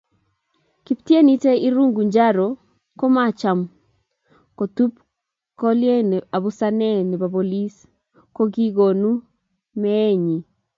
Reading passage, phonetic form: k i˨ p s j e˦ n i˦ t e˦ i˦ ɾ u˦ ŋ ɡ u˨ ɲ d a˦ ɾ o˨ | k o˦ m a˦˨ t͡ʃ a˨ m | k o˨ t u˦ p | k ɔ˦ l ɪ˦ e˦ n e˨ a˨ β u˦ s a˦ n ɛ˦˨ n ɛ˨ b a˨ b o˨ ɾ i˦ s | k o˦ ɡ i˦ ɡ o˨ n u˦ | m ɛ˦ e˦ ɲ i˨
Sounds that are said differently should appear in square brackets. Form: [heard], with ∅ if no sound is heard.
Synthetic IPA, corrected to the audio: k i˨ p [t] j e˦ n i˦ t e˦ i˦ ɾ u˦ ŋ ɡ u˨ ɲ [d͡ʒ] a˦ ɾ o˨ | k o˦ m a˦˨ t͡ʃ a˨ m | k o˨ t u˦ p | k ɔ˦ l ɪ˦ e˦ n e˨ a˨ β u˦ s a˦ n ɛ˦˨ n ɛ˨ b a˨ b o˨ [l] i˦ s | k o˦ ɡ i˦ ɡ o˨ n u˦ | m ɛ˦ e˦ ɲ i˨

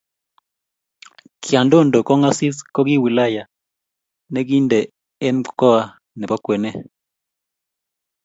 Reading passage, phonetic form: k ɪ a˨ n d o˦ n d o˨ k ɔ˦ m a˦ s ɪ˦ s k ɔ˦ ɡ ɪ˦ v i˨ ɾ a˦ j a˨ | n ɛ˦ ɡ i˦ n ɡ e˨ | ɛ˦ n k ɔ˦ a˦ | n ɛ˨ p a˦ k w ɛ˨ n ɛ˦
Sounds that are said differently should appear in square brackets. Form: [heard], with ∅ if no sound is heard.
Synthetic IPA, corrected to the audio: k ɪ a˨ n d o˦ n d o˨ k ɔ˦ [ŋ] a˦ s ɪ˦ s k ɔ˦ ɡ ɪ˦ [w] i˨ [l] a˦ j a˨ | n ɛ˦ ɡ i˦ n [d] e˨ | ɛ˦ n k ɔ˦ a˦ | n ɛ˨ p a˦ k w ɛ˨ n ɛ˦

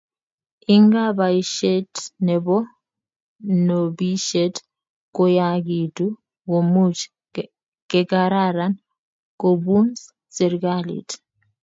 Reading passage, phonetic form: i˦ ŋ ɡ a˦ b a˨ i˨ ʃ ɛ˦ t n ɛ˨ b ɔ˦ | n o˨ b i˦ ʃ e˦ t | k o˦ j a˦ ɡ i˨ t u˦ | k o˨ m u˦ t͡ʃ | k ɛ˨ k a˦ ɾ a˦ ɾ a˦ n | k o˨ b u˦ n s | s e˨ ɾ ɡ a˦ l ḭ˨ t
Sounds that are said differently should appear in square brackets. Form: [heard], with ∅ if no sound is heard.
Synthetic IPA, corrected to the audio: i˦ ŋ ɡ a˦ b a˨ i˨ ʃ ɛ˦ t n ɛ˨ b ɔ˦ | n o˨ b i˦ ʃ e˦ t | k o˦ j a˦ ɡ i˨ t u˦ | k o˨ m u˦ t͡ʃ | k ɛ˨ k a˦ ɾ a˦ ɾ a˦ n | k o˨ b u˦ n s | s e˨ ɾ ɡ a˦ l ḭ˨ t

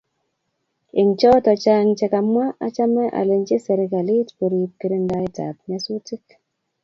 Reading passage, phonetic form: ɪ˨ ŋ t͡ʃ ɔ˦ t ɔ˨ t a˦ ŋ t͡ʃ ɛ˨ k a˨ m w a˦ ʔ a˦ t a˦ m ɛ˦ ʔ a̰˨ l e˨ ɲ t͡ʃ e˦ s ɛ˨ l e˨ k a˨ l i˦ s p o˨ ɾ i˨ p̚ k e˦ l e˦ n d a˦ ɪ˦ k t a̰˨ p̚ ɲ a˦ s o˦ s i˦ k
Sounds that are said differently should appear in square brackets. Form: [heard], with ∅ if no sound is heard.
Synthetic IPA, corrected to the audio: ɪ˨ ŋ t͡ʃ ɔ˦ t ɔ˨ [t͡ʃ] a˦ ŋ t͡ʃ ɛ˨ k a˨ m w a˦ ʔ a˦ [t͡ʃ] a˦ m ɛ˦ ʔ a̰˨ l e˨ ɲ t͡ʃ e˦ s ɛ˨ [ɾ] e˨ k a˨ l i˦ [t] p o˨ ɾ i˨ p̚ k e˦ [ɾ] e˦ n d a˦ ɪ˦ [∅] t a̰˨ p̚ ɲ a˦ s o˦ [t] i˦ k

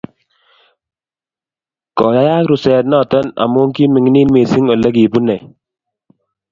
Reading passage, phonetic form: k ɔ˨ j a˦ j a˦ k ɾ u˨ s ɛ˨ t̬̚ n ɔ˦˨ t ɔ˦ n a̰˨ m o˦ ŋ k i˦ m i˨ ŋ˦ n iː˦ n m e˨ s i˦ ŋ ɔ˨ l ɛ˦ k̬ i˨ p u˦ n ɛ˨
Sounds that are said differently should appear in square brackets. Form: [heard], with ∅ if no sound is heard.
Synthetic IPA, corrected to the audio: k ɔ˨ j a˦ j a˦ k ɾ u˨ s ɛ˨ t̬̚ n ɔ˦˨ t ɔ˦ n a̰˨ m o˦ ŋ k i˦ m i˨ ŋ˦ n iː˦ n m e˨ s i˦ ŋ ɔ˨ l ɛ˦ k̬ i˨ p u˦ n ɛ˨

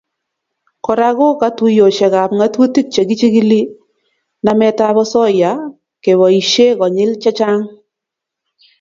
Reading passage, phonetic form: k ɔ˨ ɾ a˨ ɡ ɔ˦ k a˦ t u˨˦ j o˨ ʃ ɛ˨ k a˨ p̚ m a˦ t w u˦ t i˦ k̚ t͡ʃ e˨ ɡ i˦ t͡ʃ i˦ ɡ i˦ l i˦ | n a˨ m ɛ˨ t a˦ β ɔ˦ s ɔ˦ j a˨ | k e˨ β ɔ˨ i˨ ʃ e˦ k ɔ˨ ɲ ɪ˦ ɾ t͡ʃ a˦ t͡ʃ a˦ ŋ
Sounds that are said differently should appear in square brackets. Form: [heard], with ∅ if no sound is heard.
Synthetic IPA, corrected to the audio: k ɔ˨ ɾ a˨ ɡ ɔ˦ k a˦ t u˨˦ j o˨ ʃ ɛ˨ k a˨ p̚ [ŋ] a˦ t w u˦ t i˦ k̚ t͡ʃ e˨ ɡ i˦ t͡ʃ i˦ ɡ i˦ l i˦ | n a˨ m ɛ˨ t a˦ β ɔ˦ s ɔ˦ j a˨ | k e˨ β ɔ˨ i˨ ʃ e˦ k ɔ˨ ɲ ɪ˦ [l] t͡ʃ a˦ t͡ʃ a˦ ŋ

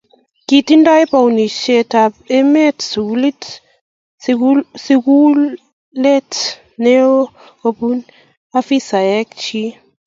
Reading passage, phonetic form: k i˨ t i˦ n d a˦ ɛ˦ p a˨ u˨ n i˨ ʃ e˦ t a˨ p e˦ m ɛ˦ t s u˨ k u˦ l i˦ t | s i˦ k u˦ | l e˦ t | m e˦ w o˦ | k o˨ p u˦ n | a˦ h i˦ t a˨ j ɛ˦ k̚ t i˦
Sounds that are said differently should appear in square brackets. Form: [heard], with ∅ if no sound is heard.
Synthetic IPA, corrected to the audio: k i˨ t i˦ n d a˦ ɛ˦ p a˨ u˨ n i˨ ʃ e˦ t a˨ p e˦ m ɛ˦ t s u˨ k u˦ l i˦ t | s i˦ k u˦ | l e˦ t | [n] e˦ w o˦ | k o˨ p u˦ n | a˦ [f] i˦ [s] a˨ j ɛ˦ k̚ [t͡ʃ] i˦

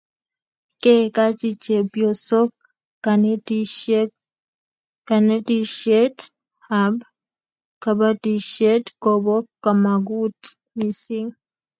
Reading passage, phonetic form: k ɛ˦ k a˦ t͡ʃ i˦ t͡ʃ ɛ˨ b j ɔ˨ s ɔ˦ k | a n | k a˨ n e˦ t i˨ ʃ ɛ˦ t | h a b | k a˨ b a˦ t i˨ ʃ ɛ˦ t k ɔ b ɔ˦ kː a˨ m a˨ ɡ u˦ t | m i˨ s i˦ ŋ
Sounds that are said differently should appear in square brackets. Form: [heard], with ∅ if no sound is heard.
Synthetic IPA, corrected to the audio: k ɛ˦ k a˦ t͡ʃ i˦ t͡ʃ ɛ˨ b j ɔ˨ s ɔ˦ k | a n | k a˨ n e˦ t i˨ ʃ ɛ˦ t | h a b | k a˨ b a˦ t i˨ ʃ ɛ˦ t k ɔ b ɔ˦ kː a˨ m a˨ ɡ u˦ t | m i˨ s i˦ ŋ

